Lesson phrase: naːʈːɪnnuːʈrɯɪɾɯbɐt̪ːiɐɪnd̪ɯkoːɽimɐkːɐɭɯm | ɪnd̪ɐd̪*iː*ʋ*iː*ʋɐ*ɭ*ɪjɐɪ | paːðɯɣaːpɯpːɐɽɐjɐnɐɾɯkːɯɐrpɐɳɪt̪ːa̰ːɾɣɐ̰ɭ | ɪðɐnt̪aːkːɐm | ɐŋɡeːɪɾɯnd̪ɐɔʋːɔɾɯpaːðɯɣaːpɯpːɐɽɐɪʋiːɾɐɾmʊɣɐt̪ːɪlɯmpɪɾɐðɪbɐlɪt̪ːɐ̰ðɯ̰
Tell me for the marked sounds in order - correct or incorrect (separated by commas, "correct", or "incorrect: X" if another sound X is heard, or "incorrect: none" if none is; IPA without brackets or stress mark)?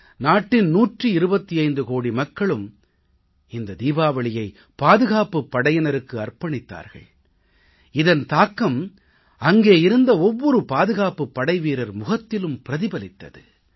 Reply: correct, incorrect: aː, correct